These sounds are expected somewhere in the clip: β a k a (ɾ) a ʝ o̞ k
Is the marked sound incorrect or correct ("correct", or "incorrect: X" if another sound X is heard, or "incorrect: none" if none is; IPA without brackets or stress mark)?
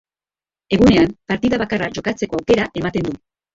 incorrect: r